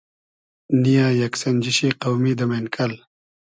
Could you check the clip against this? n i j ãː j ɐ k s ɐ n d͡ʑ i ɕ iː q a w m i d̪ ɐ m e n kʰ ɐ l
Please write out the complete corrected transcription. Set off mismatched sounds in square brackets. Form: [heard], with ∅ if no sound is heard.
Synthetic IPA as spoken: n i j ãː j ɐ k s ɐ n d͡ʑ i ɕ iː q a w m i d̪ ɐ m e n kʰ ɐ l

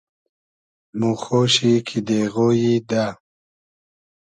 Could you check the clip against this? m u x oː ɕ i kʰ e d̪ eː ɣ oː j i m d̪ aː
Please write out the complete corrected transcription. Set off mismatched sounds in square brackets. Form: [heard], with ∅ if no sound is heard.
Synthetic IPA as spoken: m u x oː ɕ i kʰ [i] d̪ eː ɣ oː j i [∅] d̪ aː

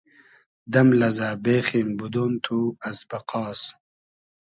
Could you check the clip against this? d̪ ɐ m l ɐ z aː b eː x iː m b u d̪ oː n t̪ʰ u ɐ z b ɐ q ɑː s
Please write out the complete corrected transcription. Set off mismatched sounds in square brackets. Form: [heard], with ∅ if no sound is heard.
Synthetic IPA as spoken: d̪ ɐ m l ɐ z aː b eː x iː m b u d̪ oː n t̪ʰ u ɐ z b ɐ q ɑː s

